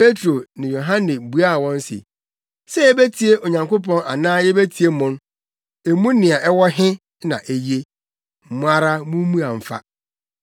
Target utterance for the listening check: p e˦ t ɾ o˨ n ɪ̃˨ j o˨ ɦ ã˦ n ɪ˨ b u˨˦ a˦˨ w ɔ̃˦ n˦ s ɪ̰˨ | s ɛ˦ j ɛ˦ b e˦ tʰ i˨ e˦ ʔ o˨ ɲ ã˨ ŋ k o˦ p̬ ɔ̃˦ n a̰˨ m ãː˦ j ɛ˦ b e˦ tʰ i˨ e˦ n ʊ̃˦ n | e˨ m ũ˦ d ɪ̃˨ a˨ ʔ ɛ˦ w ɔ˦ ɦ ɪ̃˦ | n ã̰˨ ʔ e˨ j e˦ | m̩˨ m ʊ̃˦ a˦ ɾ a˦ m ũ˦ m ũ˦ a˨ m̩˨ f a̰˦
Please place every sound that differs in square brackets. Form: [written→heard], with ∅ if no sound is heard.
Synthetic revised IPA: p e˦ t ɾ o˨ n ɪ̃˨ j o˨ ɦ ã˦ n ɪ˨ b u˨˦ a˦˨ w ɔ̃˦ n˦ s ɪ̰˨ | s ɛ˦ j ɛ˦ b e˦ tʰ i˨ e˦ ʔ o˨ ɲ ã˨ ŋ k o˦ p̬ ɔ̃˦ n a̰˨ [m→n] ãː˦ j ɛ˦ b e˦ tʰ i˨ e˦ [n→m] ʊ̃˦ n | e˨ m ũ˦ [d→n] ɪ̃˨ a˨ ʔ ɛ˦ w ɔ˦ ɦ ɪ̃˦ | n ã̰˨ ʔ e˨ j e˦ | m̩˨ m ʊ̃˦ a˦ ɾ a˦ m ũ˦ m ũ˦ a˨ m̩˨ f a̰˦